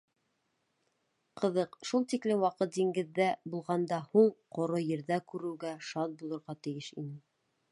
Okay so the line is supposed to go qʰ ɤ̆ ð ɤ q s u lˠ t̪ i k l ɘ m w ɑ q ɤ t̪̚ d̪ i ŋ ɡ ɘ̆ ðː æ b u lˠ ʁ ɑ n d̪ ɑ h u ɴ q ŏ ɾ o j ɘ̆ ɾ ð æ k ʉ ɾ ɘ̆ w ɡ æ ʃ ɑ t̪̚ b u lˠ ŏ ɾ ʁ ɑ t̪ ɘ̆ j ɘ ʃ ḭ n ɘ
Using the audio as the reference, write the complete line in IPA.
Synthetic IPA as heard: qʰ ɤ̆ ð ɤ q ʃ u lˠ t̪ i k l ɘ m w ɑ q ɤ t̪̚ d̪ i ŋ ɡ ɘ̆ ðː æ b u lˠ ʁ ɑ n d̪ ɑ h u ɴ q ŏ ɾ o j ɘ̆ ɾ ð æ k ʉ ɾ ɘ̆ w ɡ æ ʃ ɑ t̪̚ b u lˠ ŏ ɾ ʁ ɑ t̪ ɘ̆ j ɘ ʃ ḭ n ɘ